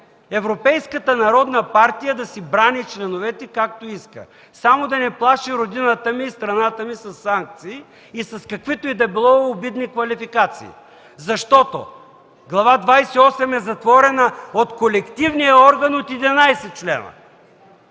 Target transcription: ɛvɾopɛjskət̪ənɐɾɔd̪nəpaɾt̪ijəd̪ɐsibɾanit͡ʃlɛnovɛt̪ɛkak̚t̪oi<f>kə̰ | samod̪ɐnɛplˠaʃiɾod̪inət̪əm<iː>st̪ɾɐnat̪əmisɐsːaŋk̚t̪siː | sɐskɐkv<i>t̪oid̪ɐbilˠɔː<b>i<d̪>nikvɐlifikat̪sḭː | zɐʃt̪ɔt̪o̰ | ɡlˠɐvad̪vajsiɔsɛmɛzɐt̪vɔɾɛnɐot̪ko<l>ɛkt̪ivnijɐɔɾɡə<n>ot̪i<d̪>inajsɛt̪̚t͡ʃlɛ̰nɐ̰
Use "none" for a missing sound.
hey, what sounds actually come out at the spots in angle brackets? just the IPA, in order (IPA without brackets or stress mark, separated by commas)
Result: s, iː, i, b, d̪, l, n, d̪